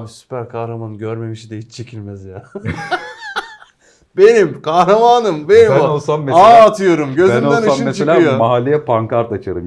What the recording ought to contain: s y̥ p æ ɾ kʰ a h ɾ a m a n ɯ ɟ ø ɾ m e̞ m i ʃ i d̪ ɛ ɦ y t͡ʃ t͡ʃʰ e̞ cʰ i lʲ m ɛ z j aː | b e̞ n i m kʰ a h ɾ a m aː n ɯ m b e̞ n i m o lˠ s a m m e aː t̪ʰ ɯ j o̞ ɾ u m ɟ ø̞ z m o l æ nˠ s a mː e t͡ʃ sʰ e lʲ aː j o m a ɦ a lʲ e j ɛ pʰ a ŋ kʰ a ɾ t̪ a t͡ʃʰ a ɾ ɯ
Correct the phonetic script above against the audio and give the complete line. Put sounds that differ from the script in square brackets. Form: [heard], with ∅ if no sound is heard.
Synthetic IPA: s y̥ p æ ɾ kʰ a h ɾ a m a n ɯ ɟ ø ɾ m e̞ m i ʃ i d̪ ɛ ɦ [i] t͡ʃ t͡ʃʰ e̞ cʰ i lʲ m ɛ z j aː | b e̞ n i m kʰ a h ɾ a m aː n ɯ m b e̞ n i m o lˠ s a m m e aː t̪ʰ ɯ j o̞ ɾ u m ɟ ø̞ z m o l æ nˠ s a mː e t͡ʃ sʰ e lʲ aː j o m a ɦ a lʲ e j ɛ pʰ a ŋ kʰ a ɾ t̪ a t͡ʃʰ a ɾ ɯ